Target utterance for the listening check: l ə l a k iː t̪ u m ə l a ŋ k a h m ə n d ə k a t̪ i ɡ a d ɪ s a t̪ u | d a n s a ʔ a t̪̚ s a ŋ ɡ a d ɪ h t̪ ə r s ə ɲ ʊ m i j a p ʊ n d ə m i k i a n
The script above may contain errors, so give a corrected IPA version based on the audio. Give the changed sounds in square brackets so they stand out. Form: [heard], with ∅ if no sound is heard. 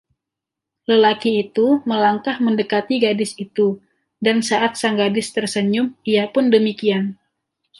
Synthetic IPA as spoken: l ə l a k iː t̪ u m ə l a ŋ k a h m ə n d ə k a t̪ i ɡ a d ɪ s [i] t̪ u | d a n s a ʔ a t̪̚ s a ŋ ɡ a d ɪ [s] t̪ ə r s ə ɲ ʊ m i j a p ʊ n d ə m i k i a n